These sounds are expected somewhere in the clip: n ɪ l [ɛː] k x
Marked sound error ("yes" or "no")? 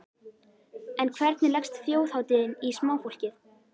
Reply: yes